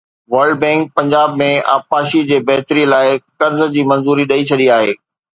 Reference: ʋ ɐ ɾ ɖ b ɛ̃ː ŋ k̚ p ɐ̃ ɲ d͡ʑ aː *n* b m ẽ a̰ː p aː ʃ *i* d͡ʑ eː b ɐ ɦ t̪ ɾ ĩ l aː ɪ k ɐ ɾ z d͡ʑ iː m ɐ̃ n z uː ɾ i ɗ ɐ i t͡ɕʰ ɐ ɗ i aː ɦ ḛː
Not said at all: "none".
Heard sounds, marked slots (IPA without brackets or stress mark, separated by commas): none, i